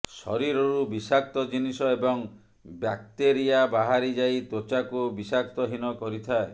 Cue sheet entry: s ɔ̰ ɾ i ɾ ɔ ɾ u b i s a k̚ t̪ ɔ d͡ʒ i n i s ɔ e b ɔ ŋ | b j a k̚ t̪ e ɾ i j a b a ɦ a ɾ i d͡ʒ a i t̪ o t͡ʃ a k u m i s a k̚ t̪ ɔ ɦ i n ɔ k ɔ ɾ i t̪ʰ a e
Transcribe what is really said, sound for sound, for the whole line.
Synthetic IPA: s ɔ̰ ɾ i ɾ ɔ ɾ u b i s a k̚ t̪ ɔ d͡ʒ i n i s ɔ e b ɔ ŋ | b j a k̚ t̪ e ɾ i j a b a ɦ a ɾ i d͡ʒ a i t̪ o t͡ʃ a k u b i s a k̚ t̪ ɔ ɦ i n ɔ k ɔ ɾ i t̪ʰ a e